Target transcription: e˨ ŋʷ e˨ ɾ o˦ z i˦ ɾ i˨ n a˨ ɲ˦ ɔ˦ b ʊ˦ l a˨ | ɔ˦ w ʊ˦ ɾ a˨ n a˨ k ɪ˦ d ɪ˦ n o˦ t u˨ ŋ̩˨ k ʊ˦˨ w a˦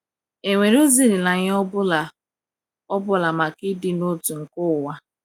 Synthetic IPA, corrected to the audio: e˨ ŋʷ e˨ ɾ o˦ z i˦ ɾ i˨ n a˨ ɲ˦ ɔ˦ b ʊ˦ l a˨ | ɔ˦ b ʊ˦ l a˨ m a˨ k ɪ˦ d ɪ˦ n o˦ t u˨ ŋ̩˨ k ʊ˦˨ w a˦